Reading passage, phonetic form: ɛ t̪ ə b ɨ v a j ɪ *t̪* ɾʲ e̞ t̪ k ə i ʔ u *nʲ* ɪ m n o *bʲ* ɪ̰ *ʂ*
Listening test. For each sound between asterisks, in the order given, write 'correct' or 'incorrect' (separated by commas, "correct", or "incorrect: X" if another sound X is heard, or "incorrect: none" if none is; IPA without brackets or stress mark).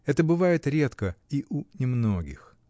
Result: correct, correct, incorrect: ɡʲ, incorrect: x